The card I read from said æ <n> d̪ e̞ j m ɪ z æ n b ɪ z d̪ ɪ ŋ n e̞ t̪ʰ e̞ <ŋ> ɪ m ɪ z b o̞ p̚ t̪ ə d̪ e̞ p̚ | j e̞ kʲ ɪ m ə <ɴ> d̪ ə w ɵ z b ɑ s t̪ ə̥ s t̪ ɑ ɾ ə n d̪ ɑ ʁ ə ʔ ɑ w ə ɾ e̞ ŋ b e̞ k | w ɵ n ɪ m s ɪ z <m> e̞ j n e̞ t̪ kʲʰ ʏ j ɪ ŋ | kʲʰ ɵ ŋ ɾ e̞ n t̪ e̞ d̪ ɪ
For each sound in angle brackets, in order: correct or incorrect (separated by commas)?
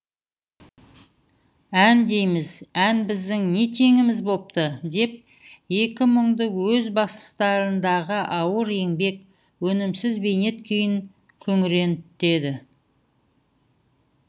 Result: correct, correct, correct, incorrect